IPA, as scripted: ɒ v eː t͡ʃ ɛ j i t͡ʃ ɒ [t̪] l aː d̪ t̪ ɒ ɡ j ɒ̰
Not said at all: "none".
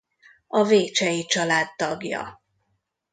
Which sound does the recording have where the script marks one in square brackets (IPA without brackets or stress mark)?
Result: none